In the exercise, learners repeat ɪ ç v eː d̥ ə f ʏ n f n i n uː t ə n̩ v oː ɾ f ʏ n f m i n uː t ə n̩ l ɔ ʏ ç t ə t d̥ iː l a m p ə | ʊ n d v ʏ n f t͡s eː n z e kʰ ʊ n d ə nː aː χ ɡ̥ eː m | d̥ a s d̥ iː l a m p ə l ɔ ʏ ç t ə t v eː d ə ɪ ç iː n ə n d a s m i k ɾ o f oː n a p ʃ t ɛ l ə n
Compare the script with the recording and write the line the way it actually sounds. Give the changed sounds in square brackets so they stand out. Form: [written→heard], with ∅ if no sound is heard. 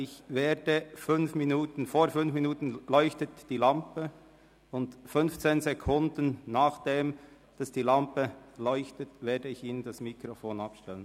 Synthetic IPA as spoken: ɪ ç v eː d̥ ə f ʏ n f [n→m] i n uː t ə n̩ [v→f] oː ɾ f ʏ n f m i n uː t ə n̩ l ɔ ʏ ç t ə t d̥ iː l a m p ə | ʊ n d [v→f] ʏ n f t͡s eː n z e kʰ ʊ n d ə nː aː χ [ɡ̥→d̥] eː m | d̥ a s d̥ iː l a m p ə l ɔ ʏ ç t ə t v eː d ə ɪ ç iː n ə n d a s m i k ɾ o f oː n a p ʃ t ɛ l ə n

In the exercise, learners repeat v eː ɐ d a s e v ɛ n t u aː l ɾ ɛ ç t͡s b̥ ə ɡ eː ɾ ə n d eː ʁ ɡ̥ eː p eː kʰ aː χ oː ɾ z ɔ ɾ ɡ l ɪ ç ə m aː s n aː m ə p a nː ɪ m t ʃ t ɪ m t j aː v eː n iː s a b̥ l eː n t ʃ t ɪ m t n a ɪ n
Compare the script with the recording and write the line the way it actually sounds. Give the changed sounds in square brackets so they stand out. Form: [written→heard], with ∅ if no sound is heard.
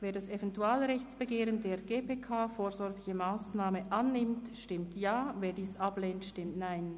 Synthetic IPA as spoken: v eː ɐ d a s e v ɛ n t u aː l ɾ ɛ ç t͡s b̥ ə ɡ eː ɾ ə n d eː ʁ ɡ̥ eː p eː kʰ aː [χ→f] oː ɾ z ɔ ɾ ɡ l ɪ ç ə m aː s n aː m ə [p→ʔ] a nː ɪ m t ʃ t ɪ m t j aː v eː [n→d] iː s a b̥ l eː n t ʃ t ɪ m t n a ɪ n

